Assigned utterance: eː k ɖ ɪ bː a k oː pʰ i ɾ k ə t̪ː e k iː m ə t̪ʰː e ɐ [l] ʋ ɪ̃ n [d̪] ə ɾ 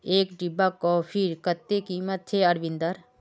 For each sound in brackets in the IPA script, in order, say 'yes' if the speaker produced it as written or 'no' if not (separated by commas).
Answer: no, yes